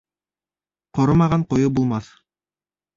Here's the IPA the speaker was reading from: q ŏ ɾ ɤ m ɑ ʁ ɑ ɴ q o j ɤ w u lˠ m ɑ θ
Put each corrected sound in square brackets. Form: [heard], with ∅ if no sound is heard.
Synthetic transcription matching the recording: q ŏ ɾ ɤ m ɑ ʁ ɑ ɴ q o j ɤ [b] u lˠ m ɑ θ